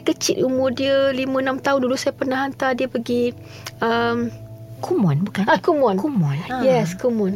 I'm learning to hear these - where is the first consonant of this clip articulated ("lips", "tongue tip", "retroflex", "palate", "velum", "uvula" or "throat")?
velum